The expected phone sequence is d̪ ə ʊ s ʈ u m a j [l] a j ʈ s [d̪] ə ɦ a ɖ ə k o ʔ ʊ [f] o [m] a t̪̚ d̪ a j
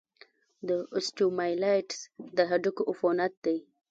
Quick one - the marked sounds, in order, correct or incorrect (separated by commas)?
correct, correct, correct, incorrect